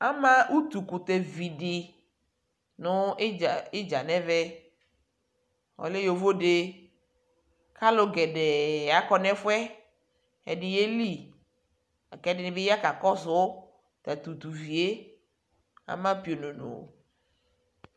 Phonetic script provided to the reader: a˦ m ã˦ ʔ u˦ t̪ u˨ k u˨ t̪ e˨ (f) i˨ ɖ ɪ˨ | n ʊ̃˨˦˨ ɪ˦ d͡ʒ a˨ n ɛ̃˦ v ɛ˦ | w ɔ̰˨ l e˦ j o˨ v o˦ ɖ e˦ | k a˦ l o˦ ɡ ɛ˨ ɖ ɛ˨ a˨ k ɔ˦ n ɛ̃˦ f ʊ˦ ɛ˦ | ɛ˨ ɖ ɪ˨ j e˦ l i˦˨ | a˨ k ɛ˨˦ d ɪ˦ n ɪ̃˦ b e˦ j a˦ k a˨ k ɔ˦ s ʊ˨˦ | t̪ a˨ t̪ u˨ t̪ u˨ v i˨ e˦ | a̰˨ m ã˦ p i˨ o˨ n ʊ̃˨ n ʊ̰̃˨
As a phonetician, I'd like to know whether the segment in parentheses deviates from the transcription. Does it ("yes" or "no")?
yes